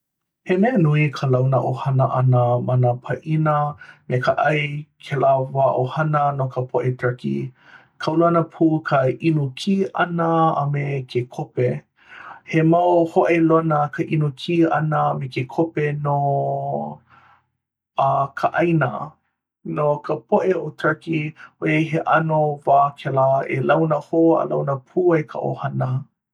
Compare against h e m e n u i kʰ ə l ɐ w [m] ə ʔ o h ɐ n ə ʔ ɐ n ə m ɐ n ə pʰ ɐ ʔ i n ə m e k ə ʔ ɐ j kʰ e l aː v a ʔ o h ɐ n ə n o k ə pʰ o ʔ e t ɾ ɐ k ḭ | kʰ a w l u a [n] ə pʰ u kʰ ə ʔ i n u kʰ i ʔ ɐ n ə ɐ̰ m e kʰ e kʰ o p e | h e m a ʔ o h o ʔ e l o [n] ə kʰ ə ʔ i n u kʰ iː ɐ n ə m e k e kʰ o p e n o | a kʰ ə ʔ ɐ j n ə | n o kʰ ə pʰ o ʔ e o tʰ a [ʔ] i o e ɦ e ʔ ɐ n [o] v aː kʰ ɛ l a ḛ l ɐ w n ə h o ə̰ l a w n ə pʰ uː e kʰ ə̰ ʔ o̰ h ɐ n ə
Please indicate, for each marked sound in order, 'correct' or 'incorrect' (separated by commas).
incorrect, correct, correct, incorrect, correct